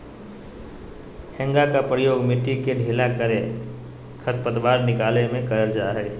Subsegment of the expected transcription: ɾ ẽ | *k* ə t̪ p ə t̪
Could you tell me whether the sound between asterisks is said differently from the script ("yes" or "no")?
yes